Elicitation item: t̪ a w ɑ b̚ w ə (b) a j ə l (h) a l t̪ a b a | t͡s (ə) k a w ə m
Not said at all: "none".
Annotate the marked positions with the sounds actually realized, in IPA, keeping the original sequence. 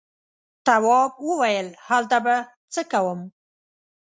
w, h, ə

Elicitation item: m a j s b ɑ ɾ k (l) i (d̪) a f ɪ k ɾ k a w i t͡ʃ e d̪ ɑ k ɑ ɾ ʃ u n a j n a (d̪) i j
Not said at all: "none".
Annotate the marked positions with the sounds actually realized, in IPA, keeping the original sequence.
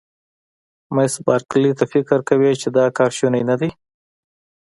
l, t̪, d̪

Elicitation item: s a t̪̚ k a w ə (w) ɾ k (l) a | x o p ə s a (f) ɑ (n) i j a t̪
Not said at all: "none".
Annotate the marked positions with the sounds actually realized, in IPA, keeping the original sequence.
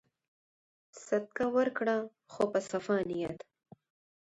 none, ɽ, f, n

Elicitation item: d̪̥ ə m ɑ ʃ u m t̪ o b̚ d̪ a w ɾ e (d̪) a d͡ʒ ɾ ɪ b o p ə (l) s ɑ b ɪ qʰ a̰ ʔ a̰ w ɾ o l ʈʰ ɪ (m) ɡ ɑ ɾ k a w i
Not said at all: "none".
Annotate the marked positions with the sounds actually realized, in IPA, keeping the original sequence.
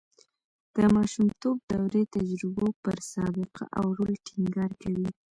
t̪, ɾ, ŋ

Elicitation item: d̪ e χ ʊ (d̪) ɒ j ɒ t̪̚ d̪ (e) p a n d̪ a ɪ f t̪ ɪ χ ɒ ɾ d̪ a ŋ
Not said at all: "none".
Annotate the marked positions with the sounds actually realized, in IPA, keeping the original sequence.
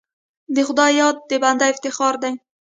d̪, e

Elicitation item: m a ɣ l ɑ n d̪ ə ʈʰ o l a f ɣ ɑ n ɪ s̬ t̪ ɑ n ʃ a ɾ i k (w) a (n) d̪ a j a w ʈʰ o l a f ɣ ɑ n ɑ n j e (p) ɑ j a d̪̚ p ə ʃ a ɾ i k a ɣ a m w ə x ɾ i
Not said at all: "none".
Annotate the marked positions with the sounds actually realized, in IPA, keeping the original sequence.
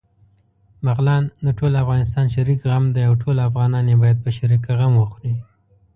ɣ, m, b

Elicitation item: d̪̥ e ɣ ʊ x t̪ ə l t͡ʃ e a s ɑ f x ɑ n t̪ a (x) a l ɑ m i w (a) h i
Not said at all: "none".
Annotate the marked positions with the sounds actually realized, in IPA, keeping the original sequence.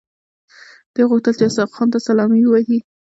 s, a

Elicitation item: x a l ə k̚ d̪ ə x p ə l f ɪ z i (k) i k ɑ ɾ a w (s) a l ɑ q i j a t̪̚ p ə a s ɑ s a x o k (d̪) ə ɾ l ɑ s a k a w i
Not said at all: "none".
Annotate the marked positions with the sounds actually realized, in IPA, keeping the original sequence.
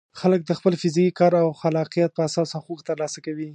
k, x, t̪

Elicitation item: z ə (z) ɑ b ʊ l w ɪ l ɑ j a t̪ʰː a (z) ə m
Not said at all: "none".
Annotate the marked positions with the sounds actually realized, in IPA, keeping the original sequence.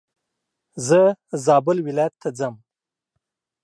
z, d͡z

